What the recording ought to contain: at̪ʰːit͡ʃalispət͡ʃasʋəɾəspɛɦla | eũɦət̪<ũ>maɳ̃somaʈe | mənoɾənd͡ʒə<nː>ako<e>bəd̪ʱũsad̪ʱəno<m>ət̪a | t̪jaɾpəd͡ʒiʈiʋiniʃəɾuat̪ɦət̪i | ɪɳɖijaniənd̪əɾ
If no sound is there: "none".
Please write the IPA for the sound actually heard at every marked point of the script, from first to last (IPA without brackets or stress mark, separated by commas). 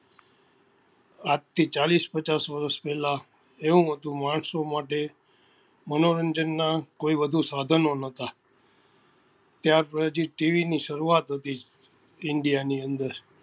ũ, nː, i, n